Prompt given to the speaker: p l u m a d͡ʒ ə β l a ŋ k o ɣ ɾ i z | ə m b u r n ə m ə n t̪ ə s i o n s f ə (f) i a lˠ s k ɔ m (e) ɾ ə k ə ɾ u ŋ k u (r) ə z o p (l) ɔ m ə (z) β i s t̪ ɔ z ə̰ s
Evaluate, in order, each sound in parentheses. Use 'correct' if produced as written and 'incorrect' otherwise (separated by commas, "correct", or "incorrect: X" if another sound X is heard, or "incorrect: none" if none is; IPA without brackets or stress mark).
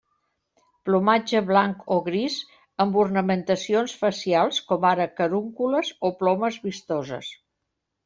incorrect: s, incorrect: a, incorrect: l, correct, correct